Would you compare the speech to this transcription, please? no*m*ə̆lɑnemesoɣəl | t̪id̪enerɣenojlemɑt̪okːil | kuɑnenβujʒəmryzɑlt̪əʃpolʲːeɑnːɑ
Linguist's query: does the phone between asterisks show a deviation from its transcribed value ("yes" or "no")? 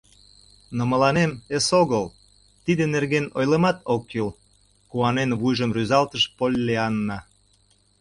no